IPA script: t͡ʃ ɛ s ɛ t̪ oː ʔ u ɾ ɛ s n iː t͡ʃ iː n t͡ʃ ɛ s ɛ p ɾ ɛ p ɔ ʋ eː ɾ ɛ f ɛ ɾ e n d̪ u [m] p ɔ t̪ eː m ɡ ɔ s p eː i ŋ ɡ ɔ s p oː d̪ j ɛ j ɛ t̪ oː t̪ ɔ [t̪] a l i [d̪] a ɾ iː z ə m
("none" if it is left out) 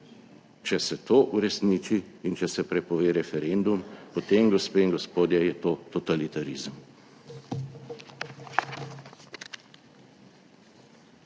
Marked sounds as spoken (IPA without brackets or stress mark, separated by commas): m, t̪, t̪